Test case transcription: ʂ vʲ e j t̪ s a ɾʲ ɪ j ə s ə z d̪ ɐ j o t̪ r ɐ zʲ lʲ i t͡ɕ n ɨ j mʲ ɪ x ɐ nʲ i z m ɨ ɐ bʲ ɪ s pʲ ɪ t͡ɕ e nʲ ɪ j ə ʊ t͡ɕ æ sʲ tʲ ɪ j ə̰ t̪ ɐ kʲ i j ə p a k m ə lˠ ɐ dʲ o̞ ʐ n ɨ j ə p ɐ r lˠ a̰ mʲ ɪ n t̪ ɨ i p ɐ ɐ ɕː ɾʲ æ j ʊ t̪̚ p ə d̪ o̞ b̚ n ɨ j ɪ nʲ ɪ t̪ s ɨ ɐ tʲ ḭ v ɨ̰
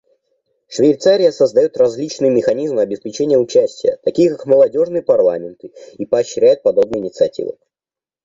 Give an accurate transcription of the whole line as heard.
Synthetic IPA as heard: ʂ vʲ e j t̪ s a ɾʲ ɪ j ə s ə z d̪ ɐ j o t̪ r ɐ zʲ lʲ i t͡ɕ n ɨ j mʲ ɪ x ɐ nʲ i z m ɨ ɐ bʲ ɪ s pʲ ɪ t͡ɕ e nʲ ɪ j ə ʊ t͡ɕ æ sʲ tʲ ɪ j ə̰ t̪ ɐ kʲ i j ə k a k m ə lˠ ɐ dʲ o̞ ʐ n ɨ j ə p ɐ r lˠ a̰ mʲ ɪ n t̪ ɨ i p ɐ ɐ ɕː ɾʲ æ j ʊ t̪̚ p ɐ d̪ o̞ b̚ n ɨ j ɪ nʲ ɪ t̪ s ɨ ɐ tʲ ḭ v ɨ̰